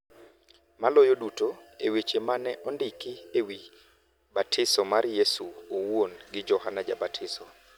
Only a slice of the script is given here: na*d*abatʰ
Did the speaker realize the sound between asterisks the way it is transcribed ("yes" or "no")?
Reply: no